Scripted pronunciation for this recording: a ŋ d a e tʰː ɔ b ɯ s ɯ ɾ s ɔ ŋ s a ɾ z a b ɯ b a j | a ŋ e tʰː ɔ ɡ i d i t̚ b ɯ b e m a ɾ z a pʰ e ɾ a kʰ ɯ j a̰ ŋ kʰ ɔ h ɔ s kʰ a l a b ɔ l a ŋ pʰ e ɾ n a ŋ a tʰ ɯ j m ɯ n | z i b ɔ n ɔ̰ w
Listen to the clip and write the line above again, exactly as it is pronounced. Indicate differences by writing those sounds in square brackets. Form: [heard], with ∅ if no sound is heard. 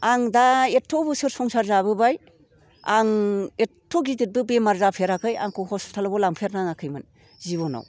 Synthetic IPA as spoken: a ŋ d a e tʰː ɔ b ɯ s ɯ ɾ s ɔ ŋ s a ɾ z a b ɯ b a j | a ŋ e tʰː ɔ ɡ i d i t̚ b ɯ b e m a ɾ z a pʰ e ɾ a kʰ ɯ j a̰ ŋ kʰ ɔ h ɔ s [tʰ] a l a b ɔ l a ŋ pʰ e ɾ n a ŋ a [kʰ] ɯ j m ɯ n | z i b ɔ n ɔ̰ w